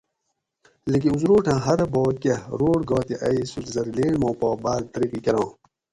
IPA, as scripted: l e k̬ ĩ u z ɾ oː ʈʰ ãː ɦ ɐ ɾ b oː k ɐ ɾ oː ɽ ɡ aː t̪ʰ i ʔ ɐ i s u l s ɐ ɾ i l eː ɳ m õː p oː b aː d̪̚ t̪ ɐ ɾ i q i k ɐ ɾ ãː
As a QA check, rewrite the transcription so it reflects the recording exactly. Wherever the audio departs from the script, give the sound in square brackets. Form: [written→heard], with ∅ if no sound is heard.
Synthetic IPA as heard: l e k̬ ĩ u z ɾ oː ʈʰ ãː ɦ ɐ ɾ b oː k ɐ ɾ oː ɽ ɡ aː [t̪ʰ→t̪] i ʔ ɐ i s u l [s→z] ɐ ɾ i l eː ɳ m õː p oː b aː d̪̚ t̪ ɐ ɾ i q i k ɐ ɾ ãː